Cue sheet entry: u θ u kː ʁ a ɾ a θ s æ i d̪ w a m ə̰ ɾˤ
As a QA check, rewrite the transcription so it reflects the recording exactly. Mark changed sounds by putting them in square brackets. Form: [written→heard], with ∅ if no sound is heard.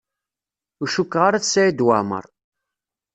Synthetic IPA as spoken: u [θ→ʃ] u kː ʁ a ɾ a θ s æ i d̪ w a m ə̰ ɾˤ